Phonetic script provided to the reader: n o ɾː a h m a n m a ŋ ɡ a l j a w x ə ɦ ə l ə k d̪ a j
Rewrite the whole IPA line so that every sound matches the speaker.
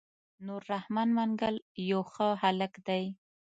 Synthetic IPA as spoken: n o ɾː a h m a n m a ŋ ɡ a l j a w x ə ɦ a l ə k d̪ a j

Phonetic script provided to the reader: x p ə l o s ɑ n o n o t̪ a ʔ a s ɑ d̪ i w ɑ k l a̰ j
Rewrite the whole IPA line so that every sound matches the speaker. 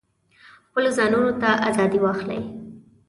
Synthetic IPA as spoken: x p ə l o z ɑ n u n o t̪ a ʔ a z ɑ d̪ i w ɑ x l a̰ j

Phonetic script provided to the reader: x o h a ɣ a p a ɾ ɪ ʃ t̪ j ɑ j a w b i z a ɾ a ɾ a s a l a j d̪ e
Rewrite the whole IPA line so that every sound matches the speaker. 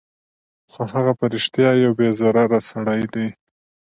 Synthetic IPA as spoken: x o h a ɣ a p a ɾ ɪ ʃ t̪ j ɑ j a w b e z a ɾ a ɾ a s a ɽ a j d̪ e

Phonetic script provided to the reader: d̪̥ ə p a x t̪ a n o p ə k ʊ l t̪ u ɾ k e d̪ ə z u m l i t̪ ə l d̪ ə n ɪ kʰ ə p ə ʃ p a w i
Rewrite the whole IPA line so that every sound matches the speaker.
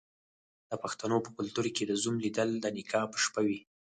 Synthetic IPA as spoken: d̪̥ ə p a x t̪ a n o p ə k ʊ l t̪ u ɾ k e d̪ ə z u m l i d̪ ə l d̪ ə n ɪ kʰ ɑ p ə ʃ p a w i

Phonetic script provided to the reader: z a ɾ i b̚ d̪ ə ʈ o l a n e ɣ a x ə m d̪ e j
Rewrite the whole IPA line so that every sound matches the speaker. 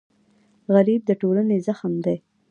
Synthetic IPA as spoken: ɣ a ɾ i b̚ d̪ ə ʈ o l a n e z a x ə m d̪ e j

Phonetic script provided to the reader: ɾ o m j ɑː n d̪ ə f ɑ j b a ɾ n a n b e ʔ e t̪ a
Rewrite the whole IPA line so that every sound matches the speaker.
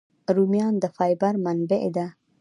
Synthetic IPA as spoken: ɾ u m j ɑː n d̪ ə f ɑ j b a ɾ m a n b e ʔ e d̪ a

